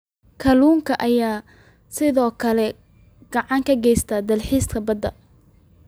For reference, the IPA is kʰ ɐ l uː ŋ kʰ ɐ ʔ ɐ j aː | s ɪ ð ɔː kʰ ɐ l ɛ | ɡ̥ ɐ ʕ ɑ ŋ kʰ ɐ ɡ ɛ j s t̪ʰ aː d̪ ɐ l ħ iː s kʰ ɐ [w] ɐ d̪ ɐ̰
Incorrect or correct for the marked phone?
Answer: incorrect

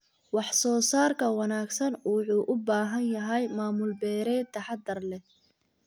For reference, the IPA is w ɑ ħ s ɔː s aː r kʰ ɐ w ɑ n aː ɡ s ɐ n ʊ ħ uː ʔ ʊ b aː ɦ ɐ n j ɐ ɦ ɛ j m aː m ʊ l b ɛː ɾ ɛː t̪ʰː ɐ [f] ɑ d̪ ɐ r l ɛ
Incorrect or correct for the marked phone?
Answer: incorrect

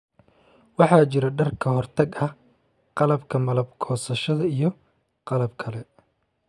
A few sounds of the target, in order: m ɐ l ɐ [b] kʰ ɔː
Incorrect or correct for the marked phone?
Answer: correct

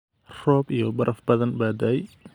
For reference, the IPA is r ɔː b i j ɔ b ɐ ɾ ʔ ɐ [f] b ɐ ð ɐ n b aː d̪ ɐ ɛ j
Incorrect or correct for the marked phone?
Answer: correct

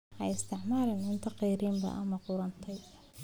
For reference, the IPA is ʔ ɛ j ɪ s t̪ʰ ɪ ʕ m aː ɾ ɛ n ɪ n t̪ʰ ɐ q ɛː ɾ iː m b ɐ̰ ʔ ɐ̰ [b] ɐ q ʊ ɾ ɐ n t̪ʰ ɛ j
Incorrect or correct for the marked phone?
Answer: incorrect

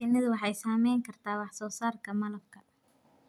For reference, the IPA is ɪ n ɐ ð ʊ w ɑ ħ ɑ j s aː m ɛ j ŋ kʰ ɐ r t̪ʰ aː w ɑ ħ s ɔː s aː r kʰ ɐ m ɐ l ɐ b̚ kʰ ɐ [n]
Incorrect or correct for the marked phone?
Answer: incorrect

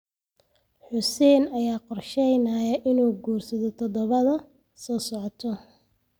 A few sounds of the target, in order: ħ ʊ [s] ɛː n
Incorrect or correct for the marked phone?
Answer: correct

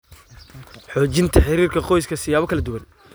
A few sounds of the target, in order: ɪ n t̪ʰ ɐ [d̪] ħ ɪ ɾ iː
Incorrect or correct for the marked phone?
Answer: incorrect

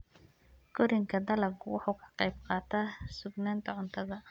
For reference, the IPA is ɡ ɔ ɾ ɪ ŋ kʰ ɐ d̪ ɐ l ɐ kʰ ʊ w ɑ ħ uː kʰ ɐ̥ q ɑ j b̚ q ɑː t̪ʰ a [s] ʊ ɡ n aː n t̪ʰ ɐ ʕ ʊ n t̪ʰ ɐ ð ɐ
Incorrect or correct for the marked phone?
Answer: correct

